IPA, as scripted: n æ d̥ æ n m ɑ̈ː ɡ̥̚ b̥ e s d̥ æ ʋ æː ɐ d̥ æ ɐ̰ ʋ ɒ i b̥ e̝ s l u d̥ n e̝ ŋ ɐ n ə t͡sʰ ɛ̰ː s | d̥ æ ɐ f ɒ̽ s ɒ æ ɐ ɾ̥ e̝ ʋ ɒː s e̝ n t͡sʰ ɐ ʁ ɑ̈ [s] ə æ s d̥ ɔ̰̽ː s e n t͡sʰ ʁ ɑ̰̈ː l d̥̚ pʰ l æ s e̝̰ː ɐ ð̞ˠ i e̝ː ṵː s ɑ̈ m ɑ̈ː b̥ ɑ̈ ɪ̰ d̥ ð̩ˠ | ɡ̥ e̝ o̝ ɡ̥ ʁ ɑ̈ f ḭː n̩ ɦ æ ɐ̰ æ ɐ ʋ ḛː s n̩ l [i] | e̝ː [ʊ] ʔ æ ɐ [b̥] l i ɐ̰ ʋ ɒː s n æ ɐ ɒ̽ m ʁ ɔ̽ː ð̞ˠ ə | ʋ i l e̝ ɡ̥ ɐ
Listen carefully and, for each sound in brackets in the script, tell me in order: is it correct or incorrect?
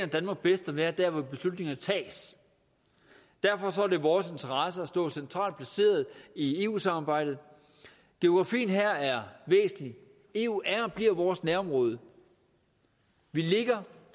correct, correct, incorrect: u, correct

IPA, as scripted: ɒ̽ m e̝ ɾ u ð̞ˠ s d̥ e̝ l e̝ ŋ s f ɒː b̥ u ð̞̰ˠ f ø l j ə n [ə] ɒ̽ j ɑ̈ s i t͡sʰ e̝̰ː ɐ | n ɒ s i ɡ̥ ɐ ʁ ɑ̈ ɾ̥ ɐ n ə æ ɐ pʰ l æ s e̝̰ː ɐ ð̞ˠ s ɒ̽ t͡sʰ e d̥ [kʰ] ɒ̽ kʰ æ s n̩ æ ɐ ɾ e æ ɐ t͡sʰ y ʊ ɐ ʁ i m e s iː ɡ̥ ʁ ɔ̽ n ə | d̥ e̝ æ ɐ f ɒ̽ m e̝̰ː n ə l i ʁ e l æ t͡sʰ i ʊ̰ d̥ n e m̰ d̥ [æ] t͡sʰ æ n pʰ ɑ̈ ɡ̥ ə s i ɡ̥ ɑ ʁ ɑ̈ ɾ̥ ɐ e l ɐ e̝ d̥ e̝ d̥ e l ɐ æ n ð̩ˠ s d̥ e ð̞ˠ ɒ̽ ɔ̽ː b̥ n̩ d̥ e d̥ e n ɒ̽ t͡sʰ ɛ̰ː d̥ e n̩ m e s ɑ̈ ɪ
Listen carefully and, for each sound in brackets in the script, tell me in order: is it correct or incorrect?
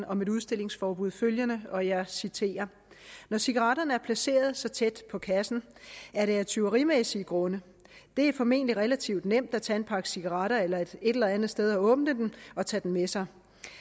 correct, incorrect: pʰ, correct

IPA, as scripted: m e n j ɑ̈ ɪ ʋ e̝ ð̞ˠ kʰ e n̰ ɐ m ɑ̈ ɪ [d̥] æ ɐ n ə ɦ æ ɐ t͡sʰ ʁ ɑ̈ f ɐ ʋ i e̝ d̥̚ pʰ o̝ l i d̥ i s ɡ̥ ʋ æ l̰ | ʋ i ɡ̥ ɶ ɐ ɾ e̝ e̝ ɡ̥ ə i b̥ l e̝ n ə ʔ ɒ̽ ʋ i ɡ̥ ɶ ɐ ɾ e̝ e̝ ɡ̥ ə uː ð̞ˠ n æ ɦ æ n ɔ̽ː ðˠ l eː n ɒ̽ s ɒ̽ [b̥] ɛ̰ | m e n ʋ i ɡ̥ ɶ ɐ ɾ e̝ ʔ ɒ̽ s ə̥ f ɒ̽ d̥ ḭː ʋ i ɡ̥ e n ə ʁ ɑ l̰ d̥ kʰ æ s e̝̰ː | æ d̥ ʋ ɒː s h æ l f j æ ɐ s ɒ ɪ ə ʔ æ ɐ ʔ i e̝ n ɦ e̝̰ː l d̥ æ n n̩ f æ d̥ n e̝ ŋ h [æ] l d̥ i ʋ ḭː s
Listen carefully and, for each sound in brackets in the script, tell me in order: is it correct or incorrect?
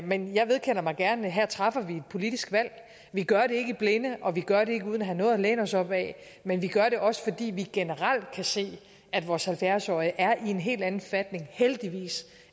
incorrect: ɡ̥, correct, incorrect: e

